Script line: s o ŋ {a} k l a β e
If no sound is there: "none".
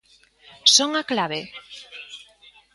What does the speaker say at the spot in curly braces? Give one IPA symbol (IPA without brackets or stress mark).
a